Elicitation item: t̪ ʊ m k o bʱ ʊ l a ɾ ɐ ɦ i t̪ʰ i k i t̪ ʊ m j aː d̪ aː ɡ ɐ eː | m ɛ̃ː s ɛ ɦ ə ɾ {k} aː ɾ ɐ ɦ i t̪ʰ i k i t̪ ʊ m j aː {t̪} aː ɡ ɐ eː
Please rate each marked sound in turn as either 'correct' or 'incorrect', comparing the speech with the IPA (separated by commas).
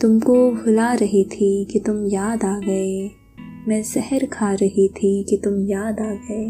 incorrect, incorrect